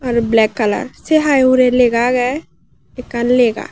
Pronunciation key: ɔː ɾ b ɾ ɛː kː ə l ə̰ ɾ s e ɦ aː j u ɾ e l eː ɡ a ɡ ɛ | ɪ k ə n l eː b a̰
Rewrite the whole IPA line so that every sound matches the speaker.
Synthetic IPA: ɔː ɾ b l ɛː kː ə l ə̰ ɾ s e ɦ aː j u ɾ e l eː ɡ a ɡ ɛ | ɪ k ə n l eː ɡ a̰